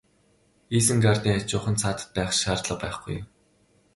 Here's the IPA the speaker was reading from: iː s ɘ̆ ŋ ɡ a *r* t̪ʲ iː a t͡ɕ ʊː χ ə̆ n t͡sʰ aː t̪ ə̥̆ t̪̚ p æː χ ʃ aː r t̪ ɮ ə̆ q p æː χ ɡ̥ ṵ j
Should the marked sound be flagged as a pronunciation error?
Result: no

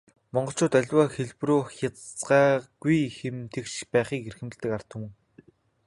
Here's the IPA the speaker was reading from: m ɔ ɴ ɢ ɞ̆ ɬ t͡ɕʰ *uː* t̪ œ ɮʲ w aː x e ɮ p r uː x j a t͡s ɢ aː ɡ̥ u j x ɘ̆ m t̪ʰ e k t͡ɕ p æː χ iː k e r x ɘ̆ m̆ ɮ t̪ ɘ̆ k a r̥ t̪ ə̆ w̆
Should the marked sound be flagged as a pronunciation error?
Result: yes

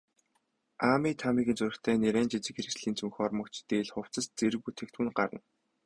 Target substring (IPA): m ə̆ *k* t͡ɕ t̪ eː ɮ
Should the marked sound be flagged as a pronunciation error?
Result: no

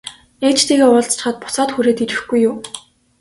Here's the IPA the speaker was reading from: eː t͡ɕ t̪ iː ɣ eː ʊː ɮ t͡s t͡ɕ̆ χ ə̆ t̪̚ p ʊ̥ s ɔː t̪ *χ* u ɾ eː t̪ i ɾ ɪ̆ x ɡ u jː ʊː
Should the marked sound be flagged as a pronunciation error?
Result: yes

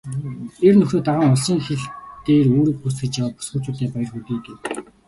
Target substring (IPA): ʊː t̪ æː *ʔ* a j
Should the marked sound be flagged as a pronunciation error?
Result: yes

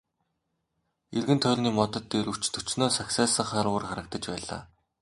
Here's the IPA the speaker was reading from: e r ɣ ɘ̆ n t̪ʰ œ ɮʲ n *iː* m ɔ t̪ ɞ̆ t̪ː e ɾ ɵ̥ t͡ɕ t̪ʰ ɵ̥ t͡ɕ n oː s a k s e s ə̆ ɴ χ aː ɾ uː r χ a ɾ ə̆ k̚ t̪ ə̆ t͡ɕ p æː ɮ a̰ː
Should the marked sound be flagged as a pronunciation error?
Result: no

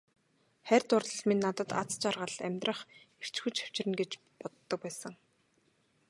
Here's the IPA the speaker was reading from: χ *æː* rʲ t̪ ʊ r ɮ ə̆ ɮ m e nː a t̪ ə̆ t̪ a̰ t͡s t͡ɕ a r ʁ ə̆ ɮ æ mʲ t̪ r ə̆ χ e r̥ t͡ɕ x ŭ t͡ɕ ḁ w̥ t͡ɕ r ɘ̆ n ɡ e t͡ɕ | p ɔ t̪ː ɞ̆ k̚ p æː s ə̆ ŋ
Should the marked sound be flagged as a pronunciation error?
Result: yes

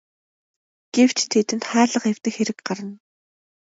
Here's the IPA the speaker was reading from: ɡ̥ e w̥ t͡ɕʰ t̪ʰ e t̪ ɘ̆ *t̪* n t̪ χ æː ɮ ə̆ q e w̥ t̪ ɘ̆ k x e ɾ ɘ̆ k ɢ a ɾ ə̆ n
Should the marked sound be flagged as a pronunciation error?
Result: yes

